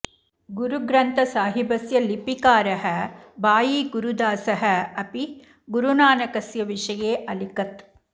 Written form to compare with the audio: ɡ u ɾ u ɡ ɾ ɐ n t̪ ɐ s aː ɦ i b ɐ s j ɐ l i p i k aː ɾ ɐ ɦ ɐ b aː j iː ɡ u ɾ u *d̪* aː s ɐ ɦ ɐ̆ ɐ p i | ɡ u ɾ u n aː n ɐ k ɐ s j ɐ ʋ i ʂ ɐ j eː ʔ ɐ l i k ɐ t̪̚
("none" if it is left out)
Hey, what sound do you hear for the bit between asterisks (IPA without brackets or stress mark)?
d̪